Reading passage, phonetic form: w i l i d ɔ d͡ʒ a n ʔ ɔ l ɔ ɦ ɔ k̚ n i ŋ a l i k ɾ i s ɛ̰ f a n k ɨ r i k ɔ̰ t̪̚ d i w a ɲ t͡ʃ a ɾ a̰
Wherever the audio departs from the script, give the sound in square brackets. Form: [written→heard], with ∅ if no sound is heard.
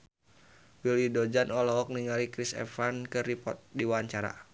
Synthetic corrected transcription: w i l i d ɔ d͡ʒ a n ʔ ɔ l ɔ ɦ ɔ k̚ n i ŋ a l i k ɾ i s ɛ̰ f a n k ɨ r i [k→p] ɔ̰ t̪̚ d i w a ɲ t͡ʃ a ɾ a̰